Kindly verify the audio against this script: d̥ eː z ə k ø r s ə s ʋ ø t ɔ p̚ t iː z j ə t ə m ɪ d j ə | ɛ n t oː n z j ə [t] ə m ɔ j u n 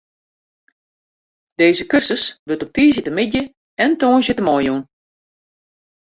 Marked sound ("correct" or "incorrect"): correct